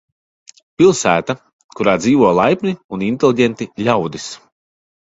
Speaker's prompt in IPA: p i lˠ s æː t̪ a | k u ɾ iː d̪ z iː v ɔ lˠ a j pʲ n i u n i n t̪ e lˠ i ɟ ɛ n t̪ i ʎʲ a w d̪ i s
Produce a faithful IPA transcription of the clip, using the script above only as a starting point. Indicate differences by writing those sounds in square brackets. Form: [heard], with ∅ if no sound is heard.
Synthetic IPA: p i lˠ s æː t̪ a | k u ɾ [aː] d̪ z iː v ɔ lˠ a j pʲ n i u n i n t̪ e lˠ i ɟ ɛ n t̪ i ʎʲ a w d̪ i s